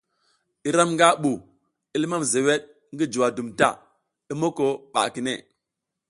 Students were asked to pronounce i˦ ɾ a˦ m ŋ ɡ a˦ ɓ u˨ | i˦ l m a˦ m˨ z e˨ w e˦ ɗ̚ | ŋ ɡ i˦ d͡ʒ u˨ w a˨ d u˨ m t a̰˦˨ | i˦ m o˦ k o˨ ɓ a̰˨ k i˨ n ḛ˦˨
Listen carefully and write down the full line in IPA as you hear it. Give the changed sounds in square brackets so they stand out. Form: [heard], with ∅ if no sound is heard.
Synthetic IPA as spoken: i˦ ɾ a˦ m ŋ ɡ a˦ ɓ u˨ | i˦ l m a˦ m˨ z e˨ w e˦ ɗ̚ | ŋ ɡ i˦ d͡ʒ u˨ w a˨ d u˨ m t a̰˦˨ | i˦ m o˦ k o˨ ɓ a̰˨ k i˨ n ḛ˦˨